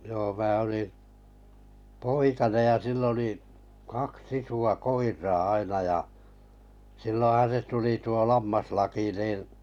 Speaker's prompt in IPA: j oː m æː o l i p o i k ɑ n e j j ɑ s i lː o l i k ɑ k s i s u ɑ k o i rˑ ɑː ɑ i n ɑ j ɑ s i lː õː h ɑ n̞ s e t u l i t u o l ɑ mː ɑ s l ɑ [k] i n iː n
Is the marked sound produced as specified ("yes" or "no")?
yes